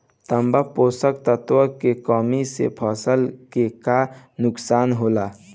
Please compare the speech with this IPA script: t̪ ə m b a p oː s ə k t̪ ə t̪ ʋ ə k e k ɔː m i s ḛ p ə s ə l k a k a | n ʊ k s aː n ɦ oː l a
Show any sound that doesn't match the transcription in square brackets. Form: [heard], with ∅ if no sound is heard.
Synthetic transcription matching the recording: t̪ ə m b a p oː s ə k t̪ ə t̪ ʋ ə k e k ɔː m i s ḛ [pʰ] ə s ə l k [e] k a | n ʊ k s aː n ɦ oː l a